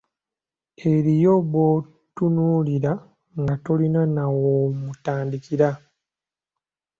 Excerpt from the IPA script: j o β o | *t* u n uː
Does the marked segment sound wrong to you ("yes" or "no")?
no